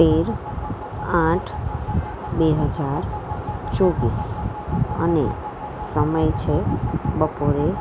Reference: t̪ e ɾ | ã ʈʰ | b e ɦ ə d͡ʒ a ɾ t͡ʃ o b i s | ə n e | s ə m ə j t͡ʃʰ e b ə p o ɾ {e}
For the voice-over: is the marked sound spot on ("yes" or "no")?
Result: yes